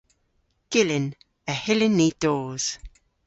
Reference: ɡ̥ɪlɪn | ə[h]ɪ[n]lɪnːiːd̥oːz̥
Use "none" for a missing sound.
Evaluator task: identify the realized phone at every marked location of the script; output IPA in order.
h, none

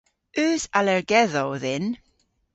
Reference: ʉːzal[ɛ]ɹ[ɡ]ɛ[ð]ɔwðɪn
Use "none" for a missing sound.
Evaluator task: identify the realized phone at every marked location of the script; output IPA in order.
ɛ, ɡ, ð

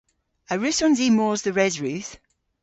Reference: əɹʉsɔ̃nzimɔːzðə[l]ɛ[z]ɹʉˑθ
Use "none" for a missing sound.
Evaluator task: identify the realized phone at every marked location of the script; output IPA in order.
ɹ, z

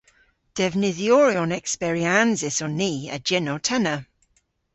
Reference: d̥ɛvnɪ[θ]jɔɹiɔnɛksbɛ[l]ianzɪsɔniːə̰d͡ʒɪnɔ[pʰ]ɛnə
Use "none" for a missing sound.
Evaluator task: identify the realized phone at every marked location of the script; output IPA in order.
ð, ɹ, tʰ

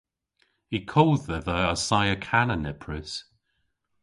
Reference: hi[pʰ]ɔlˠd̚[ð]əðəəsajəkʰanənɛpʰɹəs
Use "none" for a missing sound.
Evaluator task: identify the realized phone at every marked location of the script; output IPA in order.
kʰ, ð

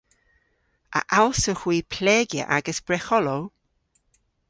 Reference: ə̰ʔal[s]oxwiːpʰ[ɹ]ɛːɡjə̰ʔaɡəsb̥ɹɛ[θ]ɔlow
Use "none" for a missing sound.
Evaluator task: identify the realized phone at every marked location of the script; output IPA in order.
s, l, x

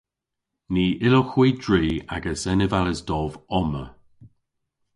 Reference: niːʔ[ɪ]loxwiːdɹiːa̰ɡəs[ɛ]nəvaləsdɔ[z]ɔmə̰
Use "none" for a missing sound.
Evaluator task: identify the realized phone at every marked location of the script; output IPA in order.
ɪ, ɛ, v

